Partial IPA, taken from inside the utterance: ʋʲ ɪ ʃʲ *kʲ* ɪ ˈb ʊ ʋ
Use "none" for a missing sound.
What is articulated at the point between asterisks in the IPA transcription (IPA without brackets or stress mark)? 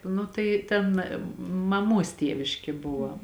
kʲ